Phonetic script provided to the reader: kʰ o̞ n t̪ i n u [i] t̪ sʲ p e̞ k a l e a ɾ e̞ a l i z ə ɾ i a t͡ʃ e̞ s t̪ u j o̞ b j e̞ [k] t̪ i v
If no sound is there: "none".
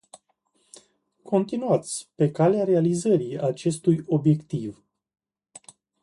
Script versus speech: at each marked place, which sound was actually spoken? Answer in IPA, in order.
a, k

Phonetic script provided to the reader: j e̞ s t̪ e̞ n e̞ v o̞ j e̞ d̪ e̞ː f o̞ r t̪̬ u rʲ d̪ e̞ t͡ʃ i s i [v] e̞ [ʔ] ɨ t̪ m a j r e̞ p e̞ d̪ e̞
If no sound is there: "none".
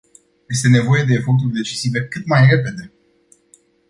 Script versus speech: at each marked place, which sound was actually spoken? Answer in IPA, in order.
v, k

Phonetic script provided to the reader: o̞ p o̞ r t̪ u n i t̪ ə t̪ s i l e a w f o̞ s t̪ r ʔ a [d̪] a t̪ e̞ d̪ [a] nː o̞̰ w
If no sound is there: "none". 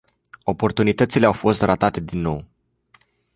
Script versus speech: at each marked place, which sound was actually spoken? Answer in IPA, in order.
t̪, i

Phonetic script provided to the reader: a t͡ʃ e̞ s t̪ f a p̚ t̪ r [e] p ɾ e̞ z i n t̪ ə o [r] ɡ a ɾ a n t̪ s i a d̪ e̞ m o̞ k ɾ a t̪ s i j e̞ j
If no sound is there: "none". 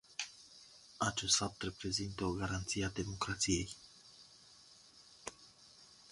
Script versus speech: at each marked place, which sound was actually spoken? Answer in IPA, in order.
e, none

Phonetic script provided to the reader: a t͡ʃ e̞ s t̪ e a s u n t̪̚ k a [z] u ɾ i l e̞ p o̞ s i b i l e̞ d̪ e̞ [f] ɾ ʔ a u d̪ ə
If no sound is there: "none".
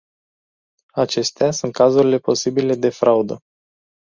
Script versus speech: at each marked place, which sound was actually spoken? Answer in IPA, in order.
z, f

